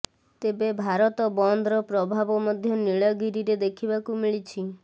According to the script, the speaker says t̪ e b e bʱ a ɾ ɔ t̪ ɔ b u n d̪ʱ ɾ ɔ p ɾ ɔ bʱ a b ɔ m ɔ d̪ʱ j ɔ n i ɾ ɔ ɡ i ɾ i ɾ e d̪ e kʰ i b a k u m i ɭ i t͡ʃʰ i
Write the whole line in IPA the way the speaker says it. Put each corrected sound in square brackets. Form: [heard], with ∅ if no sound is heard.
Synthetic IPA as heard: t̪ e b e bʱ a ɾ ɔ t̪ ɔ b [ɔ] n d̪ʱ ɾ ɔ p ɾ ɔ bʱ a b ɔ m ɔ d̪ʱ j ɔ n i [ɭ] ɔ ɡ i ɾ i ɾ e d̪ e kʰ i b a k u m i ɭ i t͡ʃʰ i